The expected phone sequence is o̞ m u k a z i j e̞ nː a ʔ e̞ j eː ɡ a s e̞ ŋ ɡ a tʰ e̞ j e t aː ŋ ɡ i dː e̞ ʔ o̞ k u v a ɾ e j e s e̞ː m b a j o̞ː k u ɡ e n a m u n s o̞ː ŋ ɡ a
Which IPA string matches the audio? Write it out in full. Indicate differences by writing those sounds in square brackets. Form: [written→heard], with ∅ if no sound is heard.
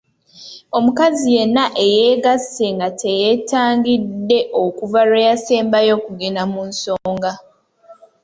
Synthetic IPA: o̞ m u k a z i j e̞ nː a ʔ e̞ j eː ɡ a s e̞ ŋ ɡ a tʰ e̞ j e t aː ŋ ɡ i dː e̞ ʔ o̞ k u v a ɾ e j [e→a] s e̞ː m b a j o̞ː k u ɡ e n a m u n s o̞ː ŋ ɡ a